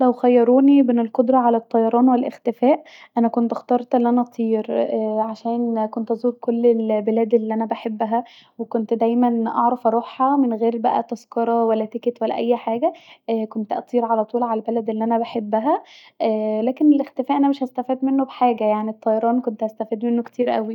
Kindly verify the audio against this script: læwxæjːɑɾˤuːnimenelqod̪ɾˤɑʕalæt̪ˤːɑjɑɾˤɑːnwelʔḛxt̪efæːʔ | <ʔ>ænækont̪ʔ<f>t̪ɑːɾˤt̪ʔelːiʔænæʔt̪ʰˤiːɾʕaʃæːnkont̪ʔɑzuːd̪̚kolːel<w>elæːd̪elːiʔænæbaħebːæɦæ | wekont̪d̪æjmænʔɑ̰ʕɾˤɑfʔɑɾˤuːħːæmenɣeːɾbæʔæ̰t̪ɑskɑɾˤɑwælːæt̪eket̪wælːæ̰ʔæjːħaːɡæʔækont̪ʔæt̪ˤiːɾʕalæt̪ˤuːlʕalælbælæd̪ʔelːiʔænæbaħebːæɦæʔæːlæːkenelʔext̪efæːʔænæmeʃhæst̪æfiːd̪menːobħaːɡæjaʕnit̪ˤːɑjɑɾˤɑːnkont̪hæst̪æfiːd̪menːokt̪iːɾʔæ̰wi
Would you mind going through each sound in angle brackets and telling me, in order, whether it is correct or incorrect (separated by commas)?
correct, incorrect, incorrect